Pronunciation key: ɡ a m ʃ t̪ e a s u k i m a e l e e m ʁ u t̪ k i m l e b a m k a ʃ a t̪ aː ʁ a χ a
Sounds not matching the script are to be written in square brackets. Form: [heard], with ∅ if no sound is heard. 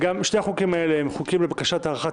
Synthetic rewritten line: ɡ a m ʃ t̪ e a [χ] u k i m a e l e e m [χ] u [∅] k i m l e b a [∅] k a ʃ a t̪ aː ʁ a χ a